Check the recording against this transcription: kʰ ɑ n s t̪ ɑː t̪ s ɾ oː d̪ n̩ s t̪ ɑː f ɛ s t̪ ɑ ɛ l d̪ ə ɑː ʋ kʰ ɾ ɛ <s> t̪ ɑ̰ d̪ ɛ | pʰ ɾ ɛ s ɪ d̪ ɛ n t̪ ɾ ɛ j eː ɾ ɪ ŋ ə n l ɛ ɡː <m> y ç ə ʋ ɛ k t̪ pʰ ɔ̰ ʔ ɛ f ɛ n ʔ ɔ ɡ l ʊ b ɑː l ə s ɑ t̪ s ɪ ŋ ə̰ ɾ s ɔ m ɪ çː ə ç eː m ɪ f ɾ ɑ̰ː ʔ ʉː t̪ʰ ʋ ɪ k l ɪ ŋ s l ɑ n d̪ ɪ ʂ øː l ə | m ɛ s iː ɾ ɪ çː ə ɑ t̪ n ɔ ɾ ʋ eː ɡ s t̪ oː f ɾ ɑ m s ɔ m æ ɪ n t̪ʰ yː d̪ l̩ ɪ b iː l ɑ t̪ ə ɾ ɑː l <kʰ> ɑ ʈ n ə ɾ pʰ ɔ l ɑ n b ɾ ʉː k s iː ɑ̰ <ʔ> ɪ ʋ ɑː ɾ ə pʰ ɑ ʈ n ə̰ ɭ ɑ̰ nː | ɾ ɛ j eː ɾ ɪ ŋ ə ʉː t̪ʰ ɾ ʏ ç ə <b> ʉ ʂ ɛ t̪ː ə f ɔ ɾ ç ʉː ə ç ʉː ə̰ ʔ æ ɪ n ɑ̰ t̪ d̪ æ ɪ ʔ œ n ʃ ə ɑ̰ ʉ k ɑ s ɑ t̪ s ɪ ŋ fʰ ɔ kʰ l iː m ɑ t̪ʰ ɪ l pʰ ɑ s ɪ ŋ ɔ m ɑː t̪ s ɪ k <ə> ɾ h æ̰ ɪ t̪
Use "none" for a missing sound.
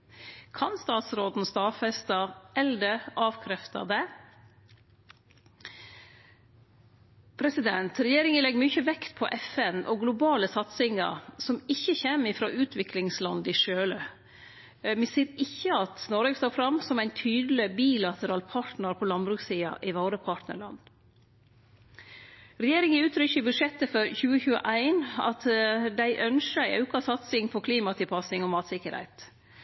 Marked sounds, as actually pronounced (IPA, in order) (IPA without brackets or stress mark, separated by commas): f, m, pʰ, ʔ, b, ə